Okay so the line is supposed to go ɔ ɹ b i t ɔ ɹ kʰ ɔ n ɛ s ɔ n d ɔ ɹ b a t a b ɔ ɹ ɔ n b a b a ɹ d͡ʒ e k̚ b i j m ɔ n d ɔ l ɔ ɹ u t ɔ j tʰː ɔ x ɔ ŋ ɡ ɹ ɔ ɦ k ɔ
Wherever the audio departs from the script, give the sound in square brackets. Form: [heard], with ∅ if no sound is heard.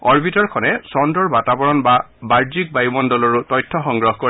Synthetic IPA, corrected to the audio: ɔ ɹ b i t ɔ ɹ kʰ ɔ n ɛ s ɔ n d ɔ ɹ b a t a b ɔ ɹ ɔ n b a b a ɹ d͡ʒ [i] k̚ b [a] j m ɔ n d ɔ l ɔ ɹ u t ɔ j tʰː ɔ x ɔ ŋ ɡ ɹ ɔ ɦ k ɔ